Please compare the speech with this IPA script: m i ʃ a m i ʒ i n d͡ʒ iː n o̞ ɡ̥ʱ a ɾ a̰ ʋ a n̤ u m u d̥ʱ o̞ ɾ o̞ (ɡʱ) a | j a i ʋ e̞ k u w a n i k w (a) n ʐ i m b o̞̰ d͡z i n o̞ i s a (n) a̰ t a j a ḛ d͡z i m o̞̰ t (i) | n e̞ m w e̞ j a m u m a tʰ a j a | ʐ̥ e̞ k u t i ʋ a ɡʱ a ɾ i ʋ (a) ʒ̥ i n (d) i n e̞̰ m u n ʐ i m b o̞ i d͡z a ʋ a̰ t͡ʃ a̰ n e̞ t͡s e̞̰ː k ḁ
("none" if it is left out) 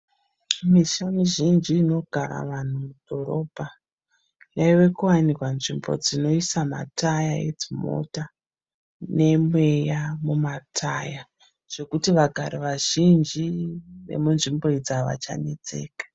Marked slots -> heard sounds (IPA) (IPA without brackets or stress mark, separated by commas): bʱ, a, m, a, a, d͡ʒ